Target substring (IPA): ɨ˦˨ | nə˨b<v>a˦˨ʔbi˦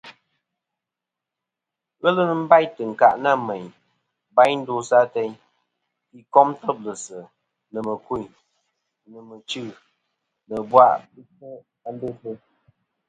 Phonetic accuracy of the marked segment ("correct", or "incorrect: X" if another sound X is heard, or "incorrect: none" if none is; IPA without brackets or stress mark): incorrect: w